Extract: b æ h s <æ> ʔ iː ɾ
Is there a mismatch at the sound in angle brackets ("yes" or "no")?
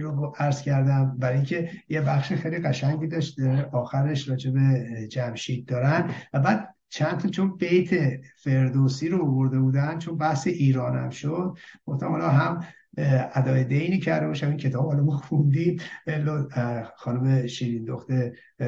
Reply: yes